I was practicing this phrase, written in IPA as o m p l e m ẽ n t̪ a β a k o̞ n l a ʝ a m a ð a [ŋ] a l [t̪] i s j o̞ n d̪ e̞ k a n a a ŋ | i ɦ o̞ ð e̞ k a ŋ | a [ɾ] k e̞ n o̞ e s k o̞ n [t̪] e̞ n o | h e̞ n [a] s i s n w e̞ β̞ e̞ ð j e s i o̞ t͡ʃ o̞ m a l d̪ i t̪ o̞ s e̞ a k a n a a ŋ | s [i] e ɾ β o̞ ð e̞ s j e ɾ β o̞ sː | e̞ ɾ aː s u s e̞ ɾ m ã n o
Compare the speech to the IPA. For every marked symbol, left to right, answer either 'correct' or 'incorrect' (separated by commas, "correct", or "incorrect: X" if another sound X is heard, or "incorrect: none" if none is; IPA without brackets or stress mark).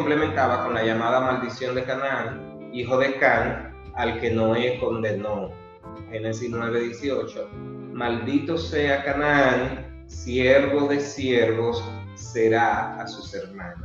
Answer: incorrect: m, incorrect: d̪, incorrect: l, incorrect: d̪, incorrect: e, incorrect: j